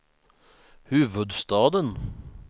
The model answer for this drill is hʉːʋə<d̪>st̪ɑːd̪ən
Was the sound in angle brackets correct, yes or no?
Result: yes